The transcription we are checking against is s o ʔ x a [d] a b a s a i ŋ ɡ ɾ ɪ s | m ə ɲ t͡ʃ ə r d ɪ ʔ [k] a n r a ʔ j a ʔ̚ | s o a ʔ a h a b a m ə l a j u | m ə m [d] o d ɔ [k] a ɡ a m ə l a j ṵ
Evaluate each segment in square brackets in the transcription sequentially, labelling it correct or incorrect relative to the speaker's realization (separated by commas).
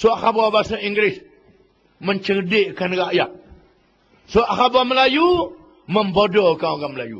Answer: incorrect, correct, incorrect, correct